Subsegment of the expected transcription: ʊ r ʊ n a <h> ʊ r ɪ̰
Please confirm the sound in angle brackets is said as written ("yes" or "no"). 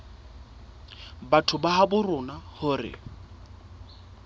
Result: yes